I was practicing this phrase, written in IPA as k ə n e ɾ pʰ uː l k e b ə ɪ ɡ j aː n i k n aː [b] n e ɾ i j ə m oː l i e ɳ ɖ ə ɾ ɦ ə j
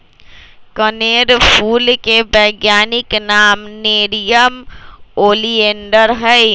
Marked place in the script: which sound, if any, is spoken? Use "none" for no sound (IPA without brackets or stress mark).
m